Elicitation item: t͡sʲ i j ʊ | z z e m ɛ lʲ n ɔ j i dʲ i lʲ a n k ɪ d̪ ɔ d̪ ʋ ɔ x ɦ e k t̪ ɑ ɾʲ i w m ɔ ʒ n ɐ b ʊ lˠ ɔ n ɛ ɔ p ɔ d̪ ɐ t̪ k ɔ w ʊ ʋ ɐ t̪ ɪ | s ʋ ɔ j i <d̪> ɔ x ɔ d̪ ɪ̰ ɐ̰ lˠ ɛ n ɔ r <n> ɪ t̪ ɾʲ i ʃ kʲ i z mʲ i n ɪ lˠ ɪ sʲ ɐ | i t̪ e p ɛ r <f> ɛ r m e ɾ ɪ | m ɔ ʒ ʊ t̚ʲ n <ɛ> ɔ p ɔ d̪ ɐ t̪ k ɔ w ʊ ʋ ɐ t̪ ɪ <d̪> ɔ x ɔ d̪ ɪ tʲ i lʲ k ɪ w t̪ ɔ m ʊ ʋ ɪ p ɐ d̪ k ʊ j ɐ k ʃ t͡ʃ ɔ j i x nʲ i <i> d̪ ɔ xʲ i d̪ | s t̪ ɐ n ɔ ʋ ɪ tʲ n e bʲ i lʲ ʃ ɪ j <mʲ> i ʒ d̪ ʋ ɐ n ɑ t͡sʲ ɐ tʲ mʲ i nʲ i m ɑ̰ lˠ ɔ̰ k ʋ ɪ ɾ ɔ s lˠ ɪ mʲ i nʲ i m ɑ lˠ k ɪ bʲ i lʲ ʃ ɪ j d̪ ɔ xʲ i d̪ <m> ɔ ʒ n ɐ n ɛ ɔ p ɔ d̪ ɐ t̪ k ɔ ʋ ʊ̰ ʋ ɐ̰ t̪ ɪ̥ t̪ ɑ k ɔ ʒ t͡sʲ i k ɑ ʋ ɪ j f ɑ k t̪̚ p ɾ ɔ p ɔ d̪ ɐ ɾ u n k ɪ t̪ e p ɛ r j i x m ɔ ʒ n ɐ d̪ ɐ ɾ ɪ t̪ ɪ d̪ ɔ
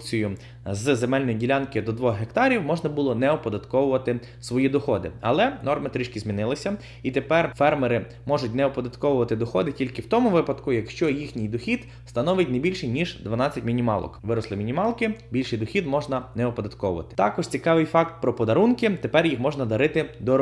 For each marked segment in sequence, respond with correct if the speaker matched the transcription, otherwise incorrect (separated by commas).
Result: correct, incorrect, correct, correct, correct, incorrect, incorrect, correct